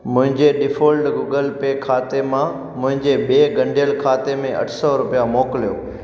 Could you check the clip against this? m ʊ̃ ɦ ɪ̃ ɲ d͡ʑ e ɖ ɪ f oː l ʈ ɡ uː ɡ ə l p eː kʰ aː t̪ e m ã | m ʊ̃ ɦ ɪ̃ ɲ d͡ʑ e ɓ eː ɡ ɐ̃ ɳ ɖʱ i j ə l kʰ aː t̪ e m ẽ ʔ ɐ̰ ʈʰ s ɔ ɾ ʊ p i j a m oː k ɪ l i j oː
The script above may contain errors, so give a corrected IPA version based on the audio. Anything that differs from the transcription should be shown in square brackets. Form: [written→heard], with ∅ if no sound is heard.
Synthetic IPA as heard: m ʊ̃ ɦ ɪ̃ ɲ d͡ʑ e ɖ ɪ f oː l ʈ ɡ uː ɡ ə l p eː kʰ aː t̪ e m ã | m ʊ̃ ɦ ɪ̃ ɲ d͡ʑ e ɓ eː ɡ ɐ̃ ɳ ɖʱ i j ə l kʰ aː t̪ e m ẽ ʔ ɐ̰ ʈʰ s ɔ ɾ ʊ p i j a m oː k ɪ l i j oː